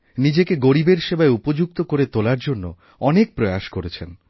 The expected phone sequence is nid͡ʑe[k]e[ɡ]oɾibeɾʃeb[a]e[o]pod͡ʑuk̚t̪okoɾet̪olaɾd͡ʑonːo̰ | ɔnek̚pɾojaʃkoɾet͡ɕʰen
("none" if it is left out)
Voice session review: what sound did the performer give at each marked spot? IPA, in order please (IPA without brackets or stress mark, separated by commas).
k, ɡ, a, u